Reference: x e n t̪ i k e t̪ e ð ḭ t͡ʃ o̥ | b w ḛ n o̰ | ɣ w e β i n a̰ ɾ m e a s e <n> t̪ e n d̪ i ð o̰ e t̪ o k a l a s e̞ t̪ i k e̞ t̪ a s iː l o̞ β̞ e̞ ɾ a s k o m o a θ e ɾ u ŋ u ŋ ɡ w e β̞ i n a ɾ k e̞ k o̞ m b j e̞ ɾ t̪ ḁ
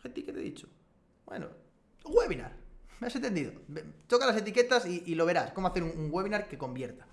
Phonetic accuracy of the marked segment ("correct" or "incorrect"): correct